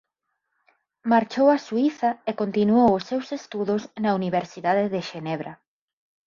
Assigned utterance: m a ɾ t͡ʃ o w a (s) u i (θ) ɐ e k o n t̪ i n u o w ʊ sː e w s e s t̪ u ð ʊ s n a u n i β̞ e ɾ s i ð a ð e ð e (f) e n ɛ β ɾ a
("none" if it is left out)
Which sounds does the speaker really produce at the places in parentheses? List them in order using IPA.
s, θ, ʃ

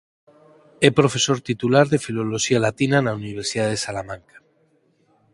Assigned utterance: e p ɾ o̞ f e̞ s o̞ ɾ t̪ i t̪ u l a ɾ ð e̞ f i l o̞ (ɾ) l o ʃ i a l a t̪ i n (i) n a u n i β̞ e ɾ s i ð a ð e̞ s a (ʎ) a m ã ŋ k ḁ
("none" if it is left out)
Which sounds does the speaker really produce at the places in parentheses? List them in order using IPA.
none, a, l

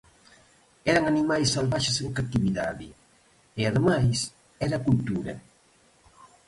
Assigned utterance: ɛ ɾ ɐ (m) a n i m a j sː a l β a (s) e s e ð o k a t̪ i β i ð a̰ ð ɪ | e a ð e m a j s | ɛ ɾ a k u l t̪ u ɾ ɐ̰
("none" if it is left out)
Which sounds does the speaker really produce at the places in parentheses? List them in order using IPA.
ŋ, ʃ

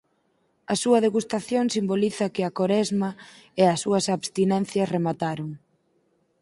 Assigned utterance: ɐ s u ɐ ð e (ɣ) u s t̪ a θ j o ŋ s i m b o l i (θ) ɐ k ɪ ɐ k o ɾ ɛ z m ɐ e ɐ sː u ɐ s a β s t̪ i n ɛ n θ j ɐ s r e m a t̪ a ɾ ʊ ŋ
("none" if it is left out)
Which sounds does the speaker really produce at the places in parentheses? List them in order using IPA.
ɣ, θ

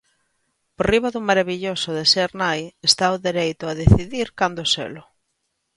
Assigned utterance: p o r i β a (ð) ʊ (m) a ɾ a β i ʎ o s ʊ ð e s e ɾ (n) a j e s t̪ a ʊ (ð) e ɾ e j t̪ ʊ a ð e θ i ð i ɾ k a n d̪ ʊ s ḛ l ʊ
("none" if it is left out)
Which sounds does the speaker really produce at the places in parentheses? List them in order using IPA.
ð, m, n, ð

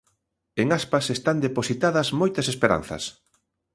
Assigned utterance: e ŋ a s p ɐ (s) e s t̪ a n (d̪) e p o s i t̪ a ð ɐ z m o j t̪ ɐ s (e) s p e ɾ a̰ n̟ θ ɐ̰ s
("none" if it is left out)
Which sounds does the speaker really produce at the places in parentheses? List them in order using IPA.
s, d̪, e

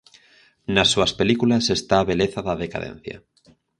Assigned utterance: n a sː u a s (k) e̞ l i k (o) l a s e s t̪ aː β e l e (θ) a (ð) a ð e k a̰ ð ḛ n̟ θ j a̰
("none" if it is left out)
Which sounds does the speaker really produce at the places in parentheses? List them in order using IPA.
p, u, θ, ð

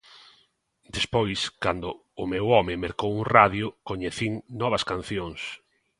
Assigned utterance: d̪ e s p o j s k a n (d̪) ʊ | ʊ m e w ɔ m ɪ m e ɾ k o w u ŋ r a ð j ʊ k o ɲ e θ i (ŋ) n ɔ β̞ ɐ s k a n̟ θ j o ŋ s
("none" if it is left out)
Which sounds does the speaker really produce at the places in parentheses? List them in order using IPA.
d̪, ŋ

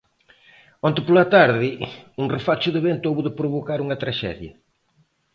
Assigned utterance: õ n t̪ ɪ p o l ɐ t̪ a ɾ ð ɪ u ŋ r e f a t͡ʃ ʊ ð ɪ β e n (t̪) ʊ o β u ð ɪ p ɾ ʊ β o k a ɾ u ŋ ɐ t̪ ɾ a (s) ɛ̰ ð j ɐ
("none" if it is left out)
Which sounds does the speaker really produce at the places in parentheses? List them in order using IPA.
t̪, ʃ

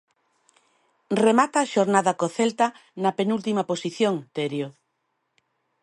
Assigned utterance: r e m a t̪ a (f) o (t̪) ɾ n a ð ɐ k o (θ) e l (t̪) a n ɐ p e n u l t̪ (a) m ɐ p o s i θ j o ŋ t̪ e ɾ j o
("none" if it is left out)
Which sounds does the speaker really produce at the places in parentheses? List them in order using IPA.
ʃ, none, θ, t̪, i

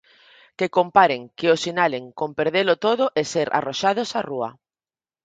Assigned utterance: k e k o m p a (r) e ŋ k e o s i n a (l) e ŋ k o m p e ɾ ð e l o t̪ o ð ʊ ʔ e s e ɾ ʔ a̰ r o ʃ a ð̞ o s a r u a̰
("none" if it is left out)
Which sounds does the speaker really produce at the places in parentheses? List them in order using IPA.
ɾ, l

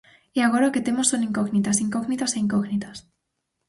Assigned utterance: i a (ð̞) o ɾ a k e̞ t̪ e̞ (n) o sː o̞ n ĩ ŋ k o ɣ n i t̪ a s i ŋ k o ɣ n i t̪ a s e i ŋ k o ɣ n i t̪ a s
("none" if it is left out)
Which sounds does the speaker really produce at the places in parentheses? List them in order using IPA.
ɣ̞, m

